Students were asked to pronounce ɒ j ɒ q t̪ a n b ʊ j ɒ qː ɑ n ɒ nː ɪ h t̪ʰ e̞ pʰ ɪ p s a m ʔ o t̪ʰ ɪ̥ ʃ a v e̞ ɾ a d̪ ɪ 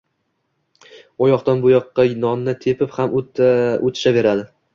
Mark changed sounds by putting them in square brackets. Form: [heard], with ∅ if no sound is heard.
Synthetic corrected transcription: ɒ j ɒ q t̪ a n b ʊ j ɒ qː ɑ n ɒ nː ɪ [∅] t̪ʰ e̞ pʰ ɪ p [h] a m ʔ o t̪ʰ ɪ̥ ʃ a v e̞ ɾ a d̪ ɪ